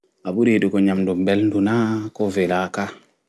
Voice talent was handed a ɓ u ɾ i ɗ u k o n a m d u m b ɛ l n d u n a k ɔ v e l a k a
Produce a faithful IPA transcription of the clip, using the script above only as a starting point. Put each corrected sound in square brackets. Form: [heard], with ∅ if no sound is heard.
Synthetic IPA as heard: a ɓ u ɾ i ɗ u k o [ɲ] a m d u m b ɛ l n d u n a k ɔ v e l a k a